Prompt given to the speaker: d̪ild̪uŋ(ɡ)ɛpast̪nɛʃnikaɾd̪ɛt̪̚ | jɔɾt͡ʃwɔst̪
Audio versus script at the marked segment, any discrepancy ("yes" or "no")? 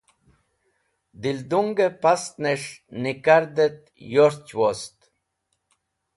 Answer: no